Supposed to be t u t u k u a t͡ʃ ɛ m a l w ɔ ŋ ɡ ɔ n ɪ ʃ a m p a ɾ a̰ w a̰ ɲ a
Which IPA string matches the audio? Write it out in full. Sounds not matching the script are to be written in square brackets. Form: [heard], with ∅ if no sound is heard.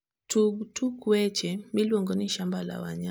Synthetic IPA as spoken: t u t u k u [ɛ] t͡ʃ ɛ m [i] l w ɔ ŋ ɡ ɔ n [i] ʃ a m [b] a [l] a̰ w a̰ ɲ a